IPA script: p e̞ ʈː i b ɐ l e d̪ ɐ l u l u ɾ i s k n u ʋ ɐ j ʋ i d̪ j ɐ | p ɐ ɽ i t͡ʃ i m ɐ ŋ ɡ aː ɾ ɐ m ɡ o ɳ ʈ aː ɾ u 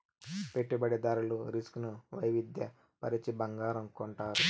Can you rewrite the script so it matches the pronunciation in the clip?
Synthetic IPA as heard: p e̞ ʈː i b ɐ ɽ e d̪ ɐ ɾ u l u ɾ i s k n u ʋ ɐ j ʋ i d̪ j ɐ | p ɐ ɾ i t͡ʃ i b ɐ ŋ ɡ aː ɾ ɐ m k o ɳ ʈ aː ɾ u